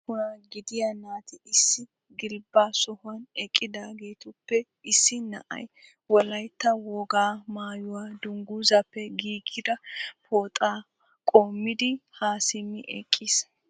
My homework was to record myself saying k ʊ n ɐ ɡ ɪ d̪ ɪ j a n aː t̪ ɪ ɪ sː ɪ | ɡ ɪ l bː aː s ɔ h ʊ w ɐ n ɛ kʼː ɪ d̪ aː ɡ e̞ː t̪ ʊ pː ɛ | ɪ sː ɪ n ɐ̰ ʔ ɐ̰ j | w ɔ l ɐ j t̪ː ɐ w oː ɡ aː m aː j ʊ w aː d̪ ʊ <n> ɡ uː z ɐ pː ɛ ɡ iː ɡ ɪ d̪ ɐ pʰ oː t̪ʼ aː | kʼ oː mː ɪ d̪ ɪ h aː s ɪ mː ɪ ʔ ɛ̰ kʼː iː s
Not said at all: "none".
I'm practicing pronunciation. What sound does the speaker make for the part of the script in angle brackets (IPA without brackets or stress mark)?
ŋ